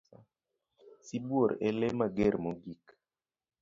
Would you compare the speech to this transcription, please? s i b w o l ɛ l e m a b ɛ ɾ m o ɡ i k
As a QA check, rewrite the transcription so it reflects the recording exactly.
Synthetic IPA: s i b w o ɾ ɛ l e m a ɡ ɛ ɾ m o ɡ i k